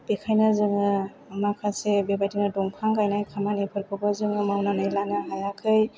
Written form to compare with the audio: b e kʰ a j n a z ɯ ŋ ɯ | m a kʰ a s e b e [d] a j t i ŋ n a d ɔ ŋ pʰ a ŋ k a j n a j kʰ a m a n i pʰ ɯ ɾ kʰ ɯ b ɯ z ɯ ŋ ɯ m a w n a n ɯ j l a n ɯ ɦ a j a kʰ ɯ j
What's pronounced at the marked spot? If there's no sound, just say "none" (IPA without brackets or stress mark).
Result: b